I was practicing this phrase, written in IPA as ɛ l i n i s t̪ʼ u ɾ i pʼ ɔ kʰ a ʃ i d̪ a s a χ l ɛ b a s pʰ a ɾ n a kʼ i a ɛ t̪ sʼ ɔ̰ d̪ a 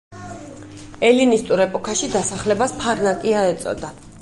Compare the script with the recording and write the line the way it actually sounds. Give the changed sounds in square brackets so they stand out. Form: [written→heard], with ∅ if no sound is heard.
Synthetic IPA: ɛ l i n i s t̪ʼ u ɾ [i→ɛ] pʼ ɔ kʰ a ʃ i d̪ a s a χ l ɛ b a s pʰ a ɾ n a kʼ i a ɛ t̪ sʼ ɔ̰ d̪ a